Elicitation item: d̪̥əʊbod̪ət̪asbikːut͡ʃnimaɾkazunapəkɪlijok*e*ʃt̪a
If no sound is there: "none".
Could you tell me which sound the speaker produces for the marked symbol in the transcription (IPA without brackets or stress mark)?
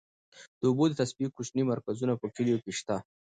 e